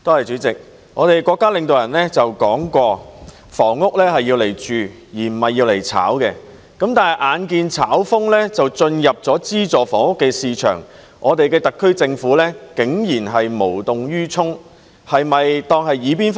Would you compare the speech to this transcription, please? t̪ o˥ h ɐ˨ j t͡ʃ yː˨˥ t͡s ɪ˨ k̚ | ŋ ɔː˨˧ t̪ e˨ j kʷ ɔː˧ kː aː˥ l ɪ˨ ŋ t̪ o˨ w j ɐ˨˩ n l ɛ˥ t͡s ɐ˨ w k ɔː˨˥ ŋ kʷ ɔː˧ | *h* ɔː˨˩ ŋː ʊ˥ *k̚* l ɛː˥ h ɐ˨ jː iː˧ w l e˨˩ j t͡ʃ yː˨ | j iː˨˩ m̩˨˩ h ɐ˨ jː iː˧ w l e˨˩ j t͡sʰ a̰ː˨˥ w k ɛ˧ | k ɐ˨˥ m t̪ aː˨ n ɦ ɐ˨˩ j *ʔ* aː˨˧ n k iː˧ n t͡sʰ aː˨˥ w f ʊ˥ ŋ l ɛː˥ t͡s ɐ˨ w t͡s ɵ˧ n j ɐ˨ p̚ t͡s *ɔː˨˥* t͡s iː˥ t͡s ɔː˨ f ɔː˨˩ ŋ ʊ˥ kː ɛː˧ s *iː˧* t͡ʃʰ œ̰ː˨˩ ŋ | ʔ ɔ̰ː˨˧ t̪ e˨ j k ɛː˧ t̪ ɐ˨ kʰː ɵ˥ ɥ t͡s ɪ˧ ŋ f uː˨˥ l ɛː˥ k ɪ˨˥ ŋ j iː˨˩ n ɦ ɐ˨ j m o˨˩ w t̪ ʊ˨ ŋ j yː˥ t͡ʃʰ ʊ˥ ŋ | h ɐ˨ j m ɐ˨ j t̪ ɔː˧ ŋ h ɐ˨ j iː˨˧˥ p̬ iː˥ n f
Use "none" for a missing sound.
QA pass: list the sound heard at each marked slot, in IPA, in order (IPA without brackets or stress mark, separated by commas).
f, k̚, ʔ, ɔː˨˥, iː˧